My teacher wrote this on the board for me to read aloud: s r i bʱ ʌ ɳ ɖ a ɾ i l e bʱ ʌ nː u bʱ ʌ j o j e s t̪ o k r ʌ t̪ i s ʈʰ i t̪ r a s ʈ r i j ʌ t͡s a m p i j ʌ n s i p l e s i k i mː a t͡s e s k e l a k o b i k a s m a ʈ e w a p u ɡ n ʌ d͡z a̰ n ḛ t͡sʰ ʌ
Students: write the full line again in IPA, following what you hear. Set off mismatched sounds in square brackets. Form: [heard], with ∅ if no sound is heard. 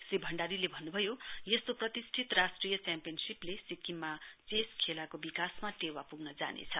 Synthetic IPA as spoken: s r i bʱ ʌ ɳ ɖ a ɾ i l e bʱ ʌ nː u bʱ ʌ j o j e s t̪ o [p] r ʌ t̪ i s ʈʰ i t̪ r a s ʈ r i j ʌ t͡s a m p i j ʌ n s i p l e s i k i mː a t͡s e s [kʰ] e l a k o b i k a s m a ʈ e w a p u ɡ n ʌ d͡z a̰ n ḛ t͡sʰ ʌ